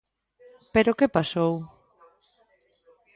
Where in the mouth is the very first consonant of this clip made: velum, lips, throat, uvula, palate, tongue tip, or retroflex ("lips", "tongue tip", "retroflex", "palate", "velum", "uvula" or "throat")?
lips